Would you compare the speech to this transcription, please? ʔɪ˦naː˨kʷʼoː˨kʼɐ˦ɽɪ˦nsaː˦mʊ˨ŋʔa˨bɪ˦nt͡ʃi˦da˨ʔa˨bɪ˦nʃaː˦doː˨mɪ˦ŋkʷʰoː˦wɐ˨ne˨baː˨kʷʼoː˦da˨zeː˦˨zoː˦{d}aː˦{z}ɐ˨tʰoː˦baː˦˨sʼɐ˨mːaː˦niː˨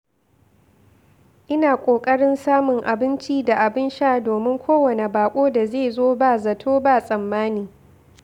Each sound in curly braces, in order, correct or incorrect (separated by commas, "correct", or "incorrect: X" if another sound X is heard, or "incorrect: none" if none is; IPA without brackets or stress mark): incorrect: b, correct